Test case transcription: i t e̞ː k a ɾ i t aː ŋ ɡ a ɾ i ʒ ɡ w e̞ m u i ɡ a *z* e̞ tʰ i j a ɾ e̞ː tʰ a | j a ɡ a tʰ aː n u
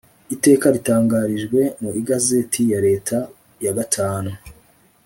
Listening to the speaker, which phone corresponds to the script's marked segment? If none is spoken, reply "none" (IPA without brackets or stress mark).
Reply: z